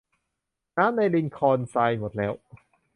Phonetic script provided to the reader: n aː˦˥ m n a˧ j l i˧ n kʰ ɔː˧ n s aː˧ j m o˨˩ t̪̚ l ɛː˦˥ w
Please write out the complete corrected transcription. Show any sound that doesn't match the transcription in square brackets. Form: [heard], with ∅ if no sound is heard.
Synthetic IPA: n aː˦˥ m n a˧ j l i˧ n kʰ ɔː˧ n s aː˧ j m o˨˩ t̪̚ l ɛː˦˥ w